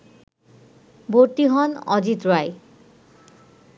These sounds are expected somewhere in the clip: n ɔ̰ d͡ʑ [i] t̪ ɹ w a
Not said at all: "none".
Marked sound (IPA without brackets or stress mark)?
i